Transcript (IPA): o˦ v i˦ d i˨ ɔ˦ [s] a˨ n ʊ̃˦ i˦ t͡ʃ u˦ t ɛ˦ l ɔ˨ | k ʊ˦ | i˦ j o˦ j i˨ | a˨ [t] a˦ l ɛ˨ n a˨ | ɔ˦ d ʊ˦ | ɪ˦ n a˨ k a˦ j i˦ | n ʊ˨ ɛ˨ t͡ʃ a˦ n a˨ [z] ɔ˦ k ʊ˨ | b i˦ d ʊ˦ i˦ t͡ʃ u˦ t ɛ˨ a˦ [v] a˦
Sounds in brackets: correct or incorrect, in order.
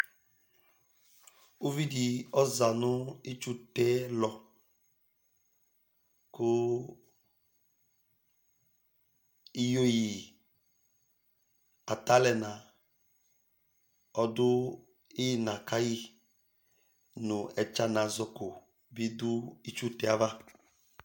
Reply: incorrect, correct, correct, correct

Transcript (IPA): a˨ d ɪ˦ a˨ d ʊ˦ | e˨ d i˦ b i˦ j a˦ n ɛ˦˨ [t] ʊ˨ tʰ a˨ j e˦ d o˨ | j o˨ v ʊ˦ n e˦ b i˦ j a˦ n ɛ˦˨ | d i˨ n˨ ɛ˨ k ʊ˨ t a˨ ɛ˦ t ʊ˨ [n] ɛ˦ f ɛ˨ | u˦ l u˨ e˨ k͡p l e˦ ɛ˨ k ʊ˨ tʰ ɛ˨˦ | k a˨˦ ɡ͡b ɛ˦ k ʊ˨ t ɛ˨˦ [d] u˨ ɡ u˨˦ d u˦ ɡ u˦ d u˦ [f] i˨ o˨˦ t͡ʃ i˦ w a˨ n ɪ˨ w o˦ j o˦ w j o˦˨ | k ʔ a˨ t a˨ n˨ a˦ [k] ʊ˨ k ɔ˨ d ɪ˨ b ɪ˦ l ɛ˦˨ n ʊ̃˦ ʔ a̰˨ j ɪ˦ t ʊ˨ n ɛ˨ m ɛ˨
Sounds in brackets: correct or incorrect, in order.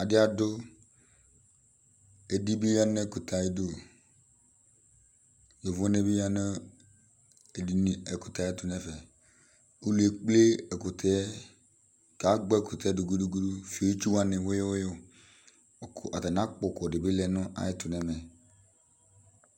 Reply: incorrect, correct, correct, correct, incorrect

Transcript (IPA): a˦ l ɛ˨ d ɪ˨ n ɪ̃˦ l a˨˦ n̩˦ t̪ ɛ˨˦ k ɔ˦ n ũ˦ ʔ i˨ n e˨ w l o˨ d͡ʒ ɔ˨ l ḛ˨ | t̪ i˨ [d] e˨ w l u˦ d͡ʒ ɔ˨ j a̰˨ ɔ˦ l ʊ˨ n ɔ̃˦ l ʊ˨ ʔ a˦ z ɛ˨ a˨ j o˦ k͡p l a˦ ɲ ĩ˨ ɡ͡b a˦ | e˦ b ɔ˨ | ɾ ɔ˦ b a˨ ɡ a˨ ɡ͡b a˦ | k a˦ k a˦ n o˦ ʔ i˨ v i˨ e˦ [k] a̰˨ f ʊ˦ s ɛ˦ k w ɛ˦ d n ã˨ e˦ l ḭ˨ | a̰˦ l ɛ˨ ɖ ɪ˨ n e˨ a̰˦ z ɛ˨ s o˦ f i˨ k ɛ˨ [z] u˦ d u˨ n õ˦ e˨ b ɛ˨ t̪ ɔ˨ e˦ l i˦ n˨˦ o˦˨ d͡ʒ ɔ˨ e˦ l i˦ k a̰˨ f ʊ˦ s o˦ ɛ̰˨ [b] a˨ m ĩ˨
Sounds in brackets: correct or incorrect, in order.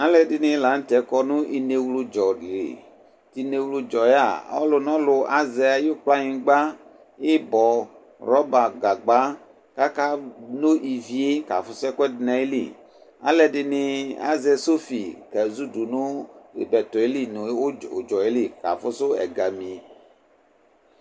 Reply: incorrect, correct, correct, incorrect

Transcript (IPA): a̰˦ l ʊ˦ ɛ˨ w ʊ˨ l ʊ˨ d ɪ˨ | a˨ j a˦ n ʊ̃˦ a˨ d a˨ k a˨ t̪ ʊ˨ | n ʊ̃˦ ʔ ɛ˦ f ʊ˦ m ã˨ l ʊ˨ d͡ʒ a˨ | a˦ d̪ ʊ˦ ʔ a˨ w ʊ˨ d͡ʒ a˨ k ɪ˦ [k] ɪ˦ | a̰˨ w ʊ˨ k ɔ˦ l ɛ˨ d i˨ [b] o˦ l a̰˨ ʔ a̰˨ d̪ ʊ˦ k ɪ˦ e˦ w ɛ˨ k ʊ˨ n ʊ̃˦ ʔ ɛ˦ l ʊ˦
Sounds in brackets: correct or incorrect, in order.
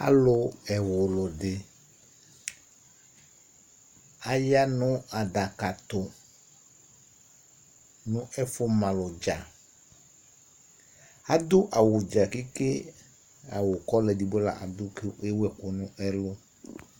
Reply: correct, correct

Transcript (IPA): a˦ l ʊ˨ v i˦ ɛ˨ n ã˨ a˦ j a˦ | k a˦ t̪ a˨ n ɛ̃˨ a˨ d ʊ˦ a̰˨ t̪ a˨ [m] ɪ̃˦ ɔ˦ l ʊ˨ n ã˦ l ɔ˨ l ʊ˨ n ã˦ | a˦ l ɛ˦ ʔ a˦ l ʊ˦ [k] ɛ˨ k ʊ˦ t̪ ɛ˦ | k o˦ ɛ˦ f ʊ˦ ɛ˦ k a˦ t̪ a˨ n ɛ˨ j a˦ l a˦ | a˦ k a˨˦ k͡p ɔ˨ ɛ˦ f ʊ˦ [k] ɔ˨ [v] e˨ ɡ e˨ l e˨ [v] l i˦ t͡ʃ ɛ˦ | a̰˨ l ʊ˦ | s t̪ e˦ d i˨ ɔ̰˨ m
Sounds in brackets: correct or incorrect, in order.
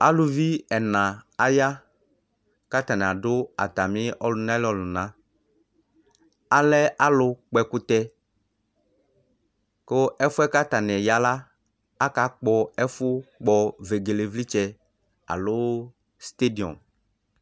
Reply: correct, incorrect, incorrect, correct, correct

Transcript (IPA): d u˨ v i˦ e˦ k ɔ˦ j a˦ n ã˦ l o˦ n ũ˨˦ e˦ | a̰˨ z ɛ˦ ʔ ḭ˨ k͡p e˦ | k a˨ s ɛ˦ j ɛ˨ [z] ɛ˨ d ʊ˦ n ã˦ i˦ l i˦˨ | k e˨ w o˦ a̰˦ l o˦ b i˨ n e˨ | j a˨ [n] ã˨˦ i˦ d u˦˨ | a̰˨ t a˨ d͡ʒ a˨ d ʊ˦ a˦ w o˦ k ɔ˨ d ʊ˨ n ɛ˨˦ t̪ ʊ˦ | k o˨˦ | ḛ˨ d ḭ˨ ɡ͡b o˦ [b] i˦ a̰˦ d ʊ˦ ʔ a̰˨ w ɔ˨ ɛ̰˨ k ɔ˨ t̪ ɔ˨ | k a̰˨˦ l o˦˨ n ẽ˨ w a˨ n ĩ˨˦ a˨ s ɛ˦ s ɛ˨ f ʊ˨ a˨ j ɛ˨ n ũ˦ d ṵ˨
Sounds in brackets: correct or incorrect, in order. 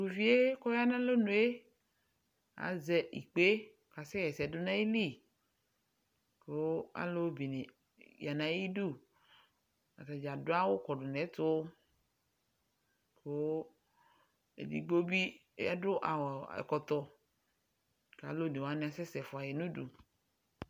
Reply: incorrect, correct, correct

